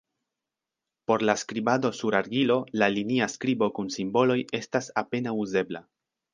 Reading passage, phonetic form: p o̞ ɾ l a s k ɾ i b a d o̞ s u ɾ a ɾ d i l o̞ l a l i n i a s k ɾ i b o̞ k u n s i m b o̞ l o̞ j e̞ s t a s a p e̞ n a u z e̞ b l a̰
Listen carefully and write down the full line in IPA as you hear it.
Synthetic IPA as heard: p o̞ ɾ l a s k ɾ i b a d o̞ s u ɾ a ɾ ɡ i l o̞ l a l i n i a s k ɾ i b o̞ k u n s i m b o̞ l o̞ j e̞ s t a s a p e̞ n a u z e̞ b l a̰